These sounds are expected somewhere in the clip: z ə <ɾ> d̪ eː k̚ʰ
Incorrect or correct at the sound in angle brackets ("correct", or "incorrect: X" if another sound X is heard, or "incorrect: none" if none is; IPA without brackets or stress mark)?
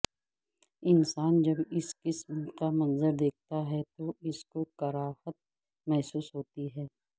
correct